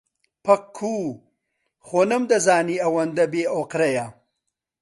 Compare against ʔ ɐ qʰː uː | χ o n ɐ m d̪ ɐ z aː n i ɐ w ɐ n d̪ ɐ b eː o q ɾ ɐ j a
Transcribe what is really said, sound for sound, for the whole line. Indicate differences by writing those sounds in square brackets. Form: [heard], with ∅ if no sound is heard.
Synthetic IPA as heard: [p] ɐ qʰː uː | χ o n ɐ m d̪ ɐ z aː n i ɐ w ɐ n d̪ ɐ b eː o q ɾ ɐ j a